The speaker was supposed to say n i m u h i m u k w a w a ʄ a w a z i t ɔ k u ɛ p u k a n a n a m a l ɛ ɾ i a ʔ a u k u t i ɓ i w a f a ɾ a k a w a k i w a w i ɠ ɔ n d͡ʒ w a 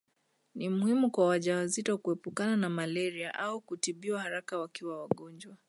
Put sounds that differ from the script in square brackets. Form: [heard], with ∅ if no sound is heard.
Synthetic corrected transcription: n i m u h i m u k w a w a ʄ a w a z i t ɔ k u ɛ p u k a n a n a m a l ɛ ɾ i a ʔ a u k u t i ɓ i w a [h] a ɾ a k a w a k i w a w [a] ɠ ɔ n d͡ʒ w a